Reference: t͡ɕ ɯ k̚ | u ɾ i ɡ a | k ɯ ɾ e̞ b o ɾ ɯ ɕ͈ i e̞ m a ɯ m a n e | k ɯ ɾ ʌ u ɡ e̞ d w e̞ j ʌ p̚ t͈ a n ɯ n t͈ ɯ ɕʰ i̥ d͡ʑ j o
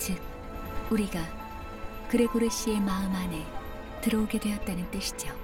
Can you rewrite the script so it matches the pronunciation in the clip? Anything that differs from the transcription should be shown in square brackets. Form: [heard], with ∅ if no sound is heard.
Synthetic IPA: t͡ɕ ɯ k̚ | u ɾ i ɡ a | k ɯ ɾ e̞ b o ɾ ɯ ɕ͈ i e̞ m a ɯ m a n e | [t] ɯ ɾ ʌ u ɡ e̞ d w e̞ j ʌ [t̚] t͈ a n ɯ n t͈ ɯ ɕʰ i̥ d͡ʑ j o